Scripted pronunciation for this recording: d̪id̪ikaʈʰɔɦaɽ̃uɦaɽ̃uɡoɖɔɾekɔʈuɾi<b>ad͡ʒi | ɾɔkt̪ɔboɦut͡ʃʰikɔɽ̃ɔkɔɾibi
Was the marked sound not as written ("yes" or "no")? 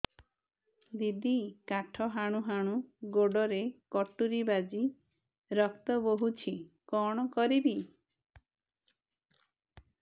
no